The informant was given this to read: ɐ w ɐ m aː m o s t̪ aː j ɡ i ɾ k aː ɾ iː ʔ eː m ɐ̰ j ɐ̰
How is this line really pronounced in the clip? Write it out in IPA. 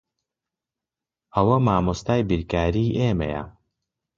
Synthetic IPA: ɐ w ɐ m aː m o s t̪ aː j b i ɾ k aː ɾ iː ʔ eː m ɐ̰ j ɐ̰